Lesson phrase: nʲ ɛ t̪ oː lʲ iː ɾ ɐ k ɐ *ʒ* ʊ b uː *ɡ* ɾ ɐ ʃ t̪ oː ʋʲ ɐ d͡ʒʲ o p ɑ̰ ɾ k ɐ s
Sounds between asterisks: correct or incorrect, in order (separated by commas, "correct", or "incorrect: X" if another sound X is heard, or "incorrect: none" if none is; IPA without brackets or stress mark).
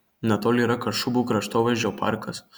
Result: incorrect: ʃ, incorrect: k